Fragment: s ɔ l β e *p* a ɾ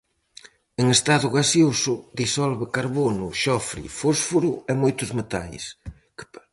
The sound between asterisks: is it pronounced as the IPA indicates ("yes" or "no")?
no